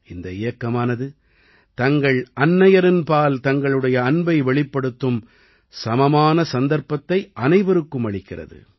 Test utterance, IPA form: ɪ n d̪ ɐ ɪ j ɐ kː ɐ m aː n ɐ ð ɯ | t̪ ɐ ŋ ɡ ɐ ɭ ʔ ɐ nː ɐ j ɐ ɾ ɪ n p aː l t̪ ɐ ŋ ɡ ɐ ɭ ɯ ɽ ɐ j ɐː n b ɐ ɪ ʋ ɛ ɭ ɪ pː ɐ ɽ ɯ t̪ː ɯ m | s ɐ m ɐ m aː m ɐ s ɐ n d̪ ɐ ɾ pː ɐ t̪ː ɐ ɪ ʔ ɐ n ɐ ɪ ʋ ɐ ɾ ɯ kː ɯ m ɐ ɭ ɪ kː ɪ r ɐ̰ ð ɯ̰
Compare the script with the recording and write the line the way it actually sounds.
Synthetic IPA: ɪ n d̪ ɐ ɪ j ɐ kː ɐ m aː n ɐ ð ɯ | t̪ ɐ ŋ ɡ ɐ ɭ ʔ ɐ nː ɐ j ɐ ɾ ɪ n p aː l t̪ ɐ ŋ ɡ ɐ ɭ ɯ ɽ ɐ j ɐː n b ɐ ɪ ʋ ɛ ɭ ɪ pː ɐ ɽ ɯ t̪ː ɯ m | s ɐ m ɐ m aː n ɐ s ɐ n d̪ ɐ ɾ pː ɐ t̪ː ɐ ɪ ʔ ɐ n ɐ ɪ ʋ ɐ ɾ ɯ kː ɯ m ɐ ɭ ɪ kː ɪ r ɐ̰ ð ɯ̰